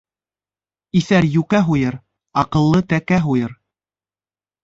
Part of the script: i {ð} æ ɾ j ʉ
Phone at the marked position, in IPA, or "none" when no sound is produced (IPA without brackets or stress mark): θ